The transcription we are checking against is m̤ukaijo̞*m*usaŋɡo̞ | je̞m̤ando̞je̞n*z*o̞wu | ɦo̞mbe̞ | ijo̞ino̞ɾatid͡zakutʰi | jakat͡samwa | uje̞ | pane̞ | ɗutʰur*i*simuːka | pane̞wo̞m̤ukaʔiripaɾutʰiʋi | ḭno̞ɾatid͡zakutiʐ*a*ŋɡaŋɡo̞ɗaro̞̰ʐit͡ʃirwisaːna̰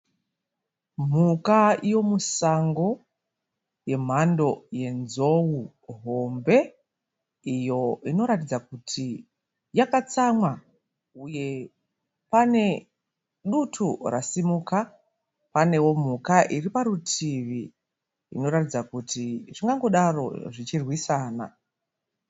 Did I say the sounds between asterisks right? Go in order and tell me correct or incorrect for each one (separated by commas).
correct, correct, incorrect, incorrect